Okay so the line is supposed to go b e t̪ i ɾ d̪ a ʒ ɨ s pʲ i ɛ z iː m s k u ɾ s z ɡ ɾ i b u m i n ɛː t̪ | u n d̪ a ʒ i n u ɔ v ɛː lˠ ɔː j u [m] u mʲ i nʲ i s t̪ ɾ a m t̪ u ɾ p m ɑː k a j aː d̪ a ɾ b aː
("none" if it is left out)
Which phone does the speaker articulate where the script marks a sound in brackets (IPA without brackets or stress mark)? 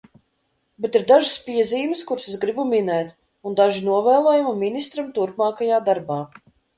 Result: m